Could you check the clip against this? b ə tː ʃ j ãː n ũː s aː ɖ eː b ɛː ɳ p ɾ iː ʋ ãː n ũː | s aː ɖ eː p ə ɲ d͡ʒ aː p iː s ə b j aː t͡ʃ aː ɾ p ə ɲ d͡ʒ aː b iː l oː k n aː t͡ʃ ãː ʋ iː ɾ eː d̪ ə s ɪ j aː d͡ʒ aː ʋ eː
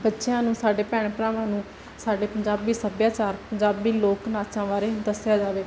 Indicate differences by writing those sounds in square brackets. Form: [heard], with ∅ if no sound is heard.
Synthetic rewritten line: b ə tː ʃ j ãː n ũː s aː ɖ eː [p] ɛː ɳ p ɾ [aː] ʋ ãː n ũː | s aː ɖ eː p ə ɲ d͡ʒ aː [b] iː s ə b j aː t͡ʃ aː ɾ p ə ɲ d͡ʒ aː b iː l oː k n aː t͡ʃ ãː ʋ [aː] ɾ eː d̪ ə s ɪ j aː d͡ʒ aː ʋ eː